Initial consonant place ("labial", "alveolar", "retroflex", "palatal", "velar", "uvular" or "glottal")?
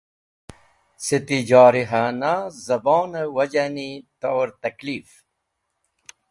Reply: alveolar